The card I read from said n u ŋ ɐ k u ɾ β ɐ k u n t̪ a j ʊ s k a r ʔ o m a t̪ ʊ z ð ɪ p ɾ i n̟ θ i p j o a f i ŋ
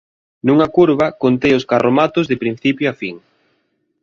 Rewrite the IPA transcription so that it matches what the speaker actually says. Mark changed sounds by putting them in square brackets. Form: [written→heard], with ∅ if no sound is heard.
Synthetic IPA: n u ŋ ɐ k u ɾ β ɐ k [u→o] n t̪ [a→e] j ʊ s k a r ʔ o m a t̪ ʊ z ð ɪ p ɾ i n̟ θ i p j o a f i ŋ